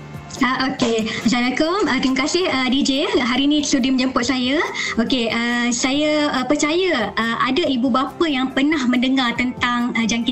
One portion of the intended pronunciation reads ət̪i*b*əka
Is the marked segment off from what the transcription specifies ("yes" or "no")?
yes